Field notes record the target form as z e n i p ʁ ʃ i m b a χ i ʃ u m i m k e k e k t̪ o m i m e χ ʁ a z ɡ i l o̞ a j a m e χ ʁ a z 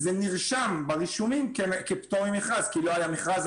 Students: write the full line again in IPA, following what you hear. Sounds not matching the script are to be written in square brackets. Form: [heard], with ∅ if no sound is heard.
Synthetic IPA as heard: z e n i [∅] ʁ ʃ [a] m b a [ʁ] i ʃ u m i m k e k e [p] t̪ o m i m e χ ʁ a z [k] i l o̞ a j a m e χ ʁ a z

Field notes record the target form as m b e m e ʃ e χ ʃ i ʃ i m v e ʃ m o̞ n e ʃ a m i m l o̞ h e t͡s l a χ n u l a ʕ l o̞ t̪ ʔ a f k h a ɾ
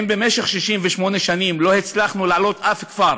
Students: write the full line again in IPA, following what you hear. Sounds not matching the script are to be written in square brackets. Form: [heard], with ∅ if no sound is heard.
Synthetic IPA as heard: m b e m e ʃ e χ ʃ i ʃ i m v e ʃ m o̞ n e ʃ a [n] i m l o̞ h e t͡s l a χ n u l a ʕ l o̞ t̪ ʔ a f k [f] a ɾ

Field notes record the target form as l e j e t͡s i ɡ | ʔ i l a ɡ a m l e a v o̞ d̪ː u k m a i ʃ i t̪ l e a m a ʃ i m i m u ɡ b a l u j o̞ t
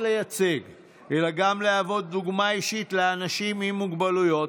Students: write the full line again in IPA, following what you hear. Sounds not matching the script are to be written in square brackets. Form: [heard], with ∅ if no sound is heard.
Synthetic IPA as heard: l e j [a] t͡s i ɡ | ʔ [e] l a ɡ a m l e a v o̞ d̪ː u [ɡ] m a i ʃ i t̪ l e a [n] a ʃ i m i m u ɡ b a l u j o̞ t

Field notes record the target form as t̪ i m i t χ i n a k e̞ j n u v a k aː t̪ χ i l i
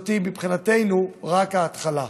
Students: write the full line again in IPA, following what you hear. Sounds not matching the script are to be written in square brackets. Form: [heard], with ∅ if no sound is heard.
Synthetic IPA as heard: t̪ i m i [p] χ i n a [t] e̞ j n u [ʁ] a k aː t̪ χ [a] l [a]

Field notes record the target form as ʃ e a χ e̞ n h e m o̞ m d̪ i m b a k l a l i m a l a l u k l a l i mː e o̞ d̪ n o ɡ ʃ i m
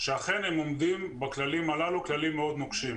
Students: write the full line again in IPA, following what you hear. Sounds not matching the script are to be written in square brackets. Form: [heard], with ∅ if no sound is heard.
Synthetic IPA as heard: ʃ e a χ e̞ n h e m o̞ m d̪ i m b a k l a l i m a l a l u k l a l i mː e o̞ d̪ n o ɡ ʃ i m

